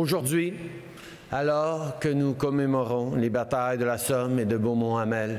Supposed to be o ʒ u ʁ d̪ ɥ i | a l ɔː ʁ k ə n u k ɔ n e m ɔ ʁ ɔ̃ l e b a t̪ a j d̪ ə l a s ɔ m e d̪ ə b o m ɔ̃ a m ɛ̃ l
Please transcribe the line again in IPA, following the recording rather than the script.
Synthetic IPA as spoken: o ʒ u ʁ d̪ ɥ i | a l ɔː ʁ k ə n u k ɔ m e m ɔ ʁ ɔ̃ l e b a t̪ a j d̪ ə l a s ɔ m e d̪ ə b o m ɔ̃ a m ɛ l